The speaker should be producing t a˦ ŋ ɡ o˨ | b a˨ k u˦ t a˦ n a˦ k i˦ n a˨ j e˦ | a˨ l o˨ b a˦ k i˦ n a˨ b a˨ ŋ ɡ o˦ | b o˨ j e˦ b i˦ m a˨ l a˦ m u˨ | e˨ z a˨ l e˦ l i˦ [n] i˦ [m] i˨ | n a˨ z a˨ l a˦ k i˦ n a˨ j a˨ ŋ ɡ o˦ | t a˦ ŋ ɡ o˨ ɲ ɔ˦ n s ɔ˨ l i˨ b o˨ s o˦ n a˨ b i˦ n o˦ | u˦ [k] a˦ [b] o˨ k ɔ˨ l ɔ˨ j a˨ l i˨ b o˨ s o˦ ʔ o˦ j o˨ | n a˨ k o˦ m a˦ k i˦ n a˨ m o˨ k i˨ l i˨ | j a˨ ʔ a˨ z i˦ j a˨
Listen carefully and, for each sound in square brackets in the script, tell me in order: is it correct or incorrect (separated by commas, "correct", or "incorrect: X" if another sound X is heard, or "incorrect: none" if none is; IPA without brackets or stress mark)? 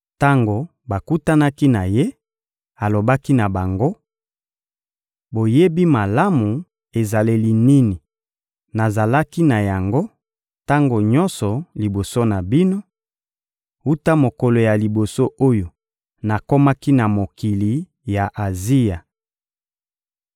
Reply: correct, incorrect: n, incorrect: t, incorrect: m